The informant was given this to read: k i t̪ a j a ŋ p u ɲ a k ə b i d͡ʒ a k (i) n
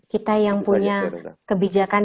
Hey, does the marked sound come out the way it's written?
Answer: no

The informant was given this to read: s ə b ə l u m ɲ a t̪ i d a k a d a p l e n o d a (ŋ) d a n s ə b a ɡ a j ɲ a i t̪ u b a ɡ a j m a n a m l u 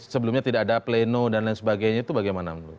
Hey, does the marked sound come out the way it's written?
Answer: no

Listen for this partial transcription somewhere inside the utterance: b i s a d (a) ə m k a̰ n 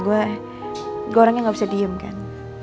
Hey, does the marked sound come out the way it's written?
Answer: no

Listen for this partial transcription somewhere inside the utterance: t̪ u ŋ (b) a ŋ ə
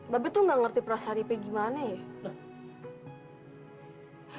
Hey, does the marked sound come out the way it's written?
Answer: no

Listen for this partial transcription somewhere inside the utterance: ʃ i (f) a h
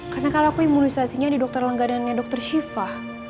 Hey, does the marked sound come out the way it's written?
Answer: yes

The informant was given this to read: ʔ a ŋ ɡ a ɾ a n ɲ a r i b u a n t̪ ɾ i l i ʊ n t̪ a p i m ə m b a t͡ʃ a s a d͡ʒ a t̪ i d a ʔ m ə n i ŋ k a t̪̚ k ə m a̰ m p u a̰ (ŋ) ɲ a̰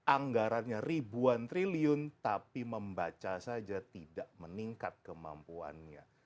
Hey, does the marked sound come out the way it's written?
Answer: no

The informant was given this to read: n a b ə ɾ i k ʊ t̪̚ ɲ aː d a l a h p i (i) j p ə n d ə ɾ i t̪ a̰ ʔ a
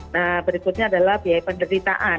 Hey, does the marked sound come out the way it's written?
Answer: no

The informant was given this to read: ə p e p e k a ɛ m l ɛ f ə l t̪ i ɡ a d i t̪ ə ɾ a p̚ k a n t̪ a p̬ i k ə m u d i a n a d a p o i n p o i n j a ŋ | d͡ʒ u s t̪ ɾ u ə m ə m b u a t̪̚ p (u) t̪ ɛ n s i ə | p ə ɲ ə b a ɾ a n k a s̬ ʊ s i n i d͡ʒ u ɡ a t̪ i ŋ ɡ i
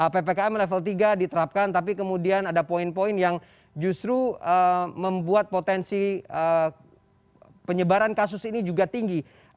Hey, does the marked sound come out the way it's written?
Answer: no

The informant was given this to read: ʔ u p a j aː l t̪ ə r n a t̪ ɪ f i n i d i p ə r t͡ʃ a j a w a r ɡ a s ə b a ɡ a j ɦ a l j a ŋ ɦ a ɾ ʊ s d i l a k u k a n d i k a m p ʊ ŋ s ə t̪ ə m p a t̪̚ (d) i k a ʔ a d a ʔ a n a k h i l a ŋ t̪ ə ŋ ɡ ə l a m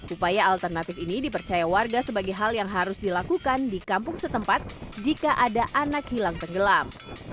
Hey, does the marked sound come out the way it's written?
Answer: no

